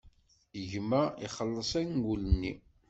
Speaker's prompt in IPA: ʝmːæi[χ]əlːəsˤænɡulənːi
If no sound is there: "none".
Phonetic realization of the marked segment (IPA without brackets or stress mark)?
χ